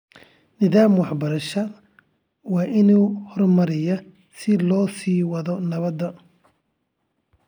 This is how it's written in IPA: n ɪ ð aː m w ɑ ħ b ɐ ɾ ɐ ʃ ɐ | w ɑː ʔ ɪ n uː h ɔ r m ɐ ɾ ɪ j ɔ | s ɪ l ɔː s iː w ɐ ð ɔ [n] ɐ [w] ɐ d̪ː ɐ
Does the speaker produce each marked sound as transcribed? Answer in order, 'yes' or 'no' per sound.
yes, no

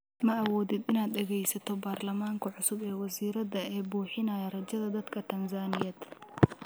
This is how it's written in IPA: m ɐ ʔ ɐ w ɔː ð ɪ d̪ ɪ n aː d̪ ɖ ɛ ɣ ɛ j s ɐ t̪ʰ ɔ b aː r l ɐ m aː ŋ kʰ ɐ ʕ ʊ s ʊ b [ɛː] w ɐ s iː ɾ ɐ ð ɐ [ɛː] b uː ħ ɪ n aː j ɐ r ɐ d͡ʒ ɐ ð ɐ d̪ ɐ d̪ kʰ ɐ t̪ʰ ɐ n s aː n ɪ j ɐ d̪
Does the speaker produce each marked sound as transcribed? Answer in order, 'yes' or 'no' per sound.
yes, yes

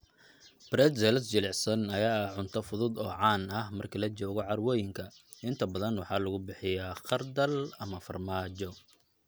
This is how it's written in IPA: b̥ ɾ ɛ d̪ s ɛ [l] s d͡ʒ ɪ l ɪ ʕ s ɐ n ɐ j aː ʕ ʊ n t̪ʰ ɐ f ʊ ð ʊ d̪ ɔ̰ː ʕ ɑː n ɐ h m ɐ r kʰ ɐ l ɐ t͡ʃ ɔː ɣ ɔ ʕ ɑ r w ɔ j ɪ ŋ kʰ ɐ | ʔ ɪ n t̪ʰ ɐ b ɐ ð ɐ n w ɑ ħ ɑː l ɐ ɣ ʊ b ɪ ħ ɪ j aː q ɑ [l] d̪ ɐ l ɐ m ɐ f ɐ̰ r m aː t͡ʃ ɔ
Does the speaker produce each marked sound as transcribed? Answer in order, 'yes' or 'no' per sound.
yes, no

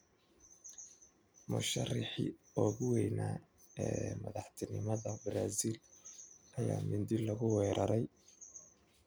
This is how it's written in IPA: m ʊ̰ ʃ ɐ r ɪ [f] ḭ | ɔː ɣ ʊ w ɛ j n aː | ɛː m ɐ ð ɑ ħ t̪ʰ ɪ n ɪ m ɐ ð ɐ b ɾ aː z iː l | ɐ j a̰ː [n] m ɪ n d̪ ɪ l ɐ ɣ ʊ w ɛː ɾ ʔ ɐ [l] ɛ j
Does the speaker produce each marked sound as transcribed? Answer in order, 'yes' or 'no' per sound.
no, no, no

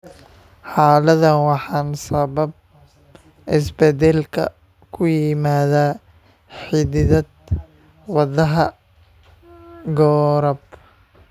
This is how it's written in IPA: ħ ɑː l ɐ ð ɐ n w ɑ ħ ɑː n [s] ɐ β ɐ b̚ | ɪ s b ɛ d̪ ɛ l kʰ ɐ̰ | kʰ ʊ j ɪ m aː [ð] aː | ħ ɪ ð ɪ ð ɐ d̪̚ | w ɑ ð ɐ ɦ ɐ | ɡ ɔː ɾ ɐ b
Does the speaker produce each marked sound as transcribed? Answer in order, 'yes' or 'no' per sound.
yes, yes

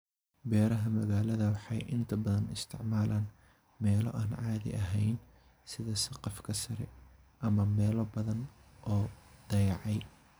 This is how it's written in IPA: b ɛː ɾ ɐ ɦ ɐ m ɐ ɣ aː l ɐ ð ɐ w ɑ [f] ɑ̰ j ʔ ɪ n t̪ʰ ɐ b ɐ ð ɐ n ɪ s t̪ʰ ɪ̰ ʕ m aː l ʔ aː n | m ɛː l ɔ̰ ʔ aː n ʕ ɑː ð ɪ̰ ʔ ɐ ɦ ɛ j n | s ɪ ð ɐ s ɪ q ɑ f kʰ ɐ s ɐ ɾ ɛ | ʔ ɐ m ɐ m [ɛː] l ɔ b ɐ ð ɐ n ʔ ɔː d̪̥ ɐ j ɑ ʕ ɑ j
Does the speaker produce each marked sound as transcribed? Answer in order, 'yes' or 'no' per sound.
no, yes

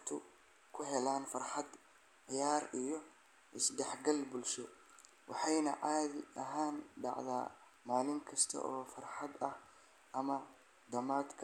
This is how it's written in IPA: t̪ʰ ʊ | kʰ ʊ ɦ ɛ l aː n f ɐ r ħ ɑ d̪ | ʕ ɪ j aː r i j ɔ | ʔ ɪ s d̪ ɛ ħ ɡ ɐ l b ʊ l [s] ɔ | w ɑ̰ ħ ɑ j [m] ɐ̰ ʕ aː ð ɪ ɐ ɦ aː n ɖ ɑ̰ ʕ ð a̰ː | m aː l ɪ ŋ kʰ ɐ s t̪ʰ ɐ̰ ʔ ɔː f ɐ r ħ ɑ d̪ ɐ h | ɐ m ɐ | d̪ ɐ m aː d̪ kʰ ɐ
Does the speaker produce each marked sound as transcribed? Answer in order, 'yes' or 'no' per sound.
no, no

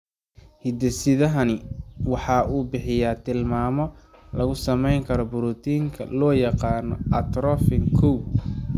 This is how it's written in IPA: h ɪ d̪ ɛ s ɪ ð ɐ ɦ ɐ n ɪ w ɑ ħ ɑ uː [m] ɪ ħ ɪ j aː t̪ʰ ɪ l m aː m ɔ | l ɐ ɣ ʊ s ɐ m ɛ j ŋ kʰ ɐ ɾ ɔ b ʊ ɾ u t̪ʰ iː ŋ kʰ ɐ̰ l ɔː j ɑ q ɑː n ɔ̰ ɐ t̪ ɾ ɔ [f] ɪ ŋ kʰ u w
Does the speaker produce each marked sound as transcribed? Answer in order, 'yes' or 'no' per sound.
no, yes

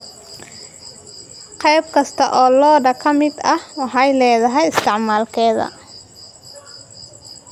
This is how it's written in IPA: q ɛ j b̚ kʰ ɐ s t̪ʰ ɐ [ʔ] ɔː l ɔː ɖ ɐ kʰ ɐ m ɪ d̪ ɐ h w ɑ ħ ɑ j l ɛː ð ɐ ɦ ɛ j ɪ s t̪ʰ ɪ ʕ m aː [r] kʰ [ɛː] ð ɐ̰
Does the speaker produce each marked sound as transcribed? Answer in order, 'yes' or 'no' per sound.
yes, no, yes

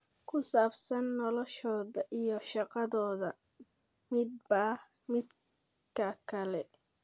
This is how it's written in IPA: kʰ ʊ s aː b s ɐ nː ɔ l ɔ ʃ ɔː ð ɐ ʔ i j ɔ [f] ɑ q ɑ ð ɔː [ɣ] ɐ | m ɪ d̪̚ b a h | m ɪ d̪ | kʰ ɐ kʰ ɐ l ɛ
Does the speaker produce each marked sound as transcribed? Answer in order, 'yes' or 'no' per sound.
no, no

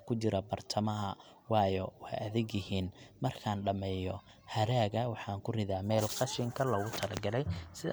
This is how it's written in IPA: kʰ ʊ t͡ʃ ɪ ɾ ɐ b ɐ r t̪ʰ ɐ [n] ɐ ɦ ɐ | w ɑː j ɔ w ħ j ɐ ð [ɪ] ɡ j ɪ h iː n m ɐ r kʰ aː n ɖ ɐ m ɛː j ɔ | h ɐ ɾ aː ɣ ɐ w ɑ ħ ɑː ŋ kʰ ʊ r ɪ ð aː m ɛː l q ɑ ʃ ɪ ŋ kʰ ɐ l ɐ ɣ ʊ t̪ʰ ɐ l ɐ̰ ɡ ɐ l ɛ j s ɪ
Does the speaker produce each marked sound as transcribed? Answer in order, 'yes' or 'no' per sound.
no, yes

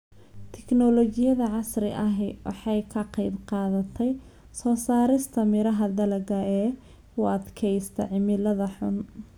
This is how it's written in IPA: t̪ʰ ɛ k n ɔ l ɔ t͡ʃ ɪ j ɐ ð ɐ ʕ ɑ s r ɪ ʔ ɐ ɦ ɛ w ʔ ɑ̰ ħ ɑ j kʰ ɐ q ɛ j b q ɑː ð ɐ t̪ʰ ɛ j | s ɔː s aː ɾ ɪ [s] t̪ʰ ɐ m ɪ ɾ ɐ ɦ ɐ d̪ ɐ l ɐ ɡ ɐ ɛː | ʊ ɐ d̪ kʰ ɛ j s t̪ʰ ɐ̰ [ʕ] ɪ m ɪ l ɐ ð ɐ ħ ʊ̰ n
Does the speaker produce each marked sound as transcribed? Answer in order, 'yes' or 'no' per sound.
yes, yes

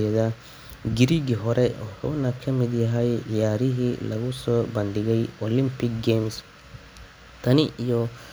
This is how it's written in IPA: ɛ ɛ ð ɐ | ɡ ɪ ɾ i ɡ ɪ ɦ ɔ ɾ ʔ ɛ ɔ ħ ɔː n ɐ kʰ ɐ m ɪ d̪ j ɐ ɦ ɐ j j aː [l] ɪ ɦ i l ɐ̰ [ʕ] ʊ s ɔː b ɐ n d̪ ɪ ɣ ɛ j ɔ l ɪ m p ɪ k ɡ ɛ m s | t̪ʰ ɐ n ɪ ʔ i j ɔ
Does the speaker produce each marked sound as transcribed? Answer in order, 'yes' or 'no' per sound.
no, no

